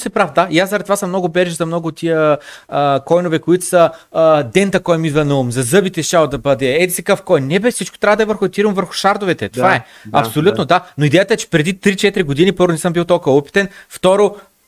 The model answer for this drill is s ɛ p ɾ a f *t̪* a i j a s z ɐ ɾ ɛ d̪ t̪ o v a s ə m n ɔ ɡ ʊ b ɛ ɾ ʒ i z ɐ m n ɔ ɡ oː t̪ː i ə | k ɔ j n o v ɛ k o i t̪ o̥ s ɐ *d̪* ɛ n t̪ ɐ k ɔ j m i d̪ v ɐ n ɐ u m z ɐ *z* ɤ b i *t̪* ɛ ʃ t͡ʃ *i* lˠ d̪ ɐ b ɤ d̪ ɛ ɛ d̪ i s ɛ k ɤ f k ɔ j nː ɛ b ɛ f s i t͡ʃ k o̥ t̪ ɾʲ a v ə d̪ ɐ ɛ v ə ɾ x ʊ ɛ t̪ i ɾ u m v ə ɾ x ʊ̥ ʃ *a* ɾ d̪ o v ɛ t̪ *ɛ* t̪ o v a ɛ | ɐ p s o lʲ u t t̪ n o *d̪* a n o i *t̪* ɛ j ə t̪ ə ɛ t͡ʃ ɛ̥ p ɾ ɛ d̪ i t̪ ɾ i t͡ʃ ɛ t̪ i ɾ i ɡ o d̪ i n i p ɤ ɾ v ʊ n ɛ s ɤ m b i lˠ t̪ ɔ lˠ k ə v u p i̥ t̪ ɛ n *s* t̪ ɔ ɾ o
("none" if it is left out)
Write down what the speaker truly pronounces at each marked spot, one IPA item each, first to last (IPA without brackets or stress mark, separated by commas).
d̪, d̪, z, t̪, a, a, ɛ, d̪, d̪, f